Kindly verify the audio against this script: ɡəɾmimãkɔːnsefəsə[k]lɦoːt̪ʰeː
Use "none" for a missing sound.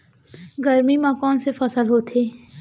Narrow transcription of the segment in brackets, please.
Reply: none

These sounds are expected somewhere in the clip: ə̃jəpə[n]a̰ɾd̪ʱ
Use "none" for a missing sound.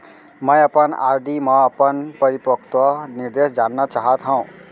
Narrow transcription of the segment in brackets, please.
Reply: n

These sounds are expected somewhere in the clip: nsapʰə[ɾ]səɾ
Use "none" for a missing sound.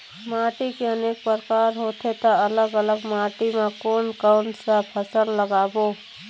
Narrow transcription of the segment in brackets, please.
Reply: none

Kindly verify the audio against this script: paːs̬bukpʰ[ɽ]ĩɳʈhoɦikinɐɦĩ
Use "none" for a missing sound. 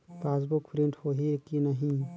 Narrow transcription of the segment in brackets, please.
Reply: ɾ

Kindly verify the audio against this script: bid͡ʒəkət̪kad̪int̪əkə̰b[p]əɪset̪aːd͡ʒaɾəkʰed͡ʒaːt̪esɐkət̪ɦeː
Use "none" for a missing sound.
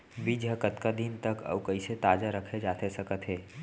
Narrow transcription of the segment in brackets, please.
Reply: k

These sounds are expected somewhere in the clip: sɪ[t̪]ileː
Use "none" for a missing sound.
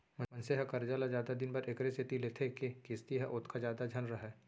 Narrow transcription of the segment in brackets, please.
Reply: t̪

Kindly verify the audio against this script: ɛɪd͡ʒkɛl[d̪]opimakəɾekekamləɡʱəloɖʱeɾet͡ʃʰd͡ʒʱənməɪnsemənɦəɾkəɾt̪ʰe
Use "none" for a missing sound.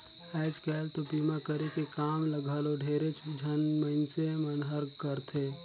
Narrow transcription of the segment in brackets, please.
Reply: t̪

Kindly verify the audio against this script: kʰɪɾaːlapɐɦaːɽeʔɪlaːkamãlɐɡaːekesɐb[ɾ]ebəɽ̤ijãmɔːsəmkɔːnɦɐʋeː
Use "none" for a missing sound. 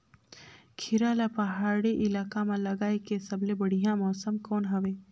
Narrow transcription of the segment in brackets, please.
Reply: l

